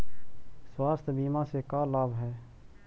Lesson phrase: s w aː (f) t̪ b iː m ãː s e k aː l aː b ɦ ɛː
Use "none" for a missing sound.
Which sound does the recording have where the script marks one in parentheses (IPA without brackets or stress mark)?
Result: s